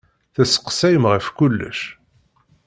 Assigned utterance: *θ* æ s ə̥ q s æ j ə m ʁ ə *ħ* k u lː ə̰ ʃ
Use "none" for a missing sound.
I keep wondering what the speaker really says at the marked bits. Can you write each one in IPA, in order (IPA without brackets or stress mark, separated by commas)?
θ, f